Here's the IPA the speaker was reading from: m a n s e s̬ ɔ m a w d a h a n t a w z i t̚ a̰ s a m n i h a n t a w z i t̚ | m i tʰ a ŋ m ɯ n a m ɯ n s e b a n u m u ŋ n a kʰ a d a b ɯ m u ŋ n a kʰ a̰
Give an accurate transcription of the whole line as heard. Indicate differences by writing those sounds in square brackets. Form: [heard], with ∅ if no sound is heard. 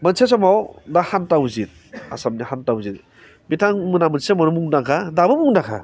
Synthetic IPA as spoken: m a n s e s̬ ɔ m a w d a h a n t a w z i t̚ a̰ s a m n i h a n t a w z i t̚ | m i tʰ a ŋ m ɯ n a m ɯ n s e [m] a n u m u ŋ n a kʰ a d a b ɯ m u ŋ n a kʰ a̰